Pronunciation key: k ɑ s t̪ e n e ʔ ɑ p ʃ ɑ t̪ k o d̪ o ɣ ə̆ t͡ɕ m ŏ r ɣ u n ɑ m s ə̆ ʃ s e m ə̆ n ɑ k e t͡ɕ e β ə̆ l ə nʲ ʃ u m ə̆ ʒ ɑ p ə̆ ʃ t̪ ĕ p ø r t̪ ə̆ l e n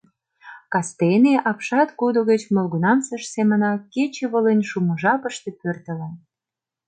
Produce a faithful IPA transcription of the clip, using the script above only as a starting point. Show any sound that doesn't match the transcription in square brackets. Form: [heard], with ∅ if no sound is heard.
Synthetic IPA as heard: k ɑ s t̪ e n e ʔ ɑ p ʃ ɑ t̪ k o d̪ o ɣ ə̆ t͡ɕ m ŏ [l] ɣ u n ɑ m s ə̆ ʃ s e m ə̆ n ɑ k e t͡ɕ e β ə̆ l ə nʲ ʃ u m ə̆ ʒ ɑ p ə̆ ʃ t̪ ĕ p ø r t̪ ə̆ l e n